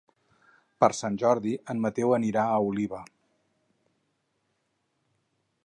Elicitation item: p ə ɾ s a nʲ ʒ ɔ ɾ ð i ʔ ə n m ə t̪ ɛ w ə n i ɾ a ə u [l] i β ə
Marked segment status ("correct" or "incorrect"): correct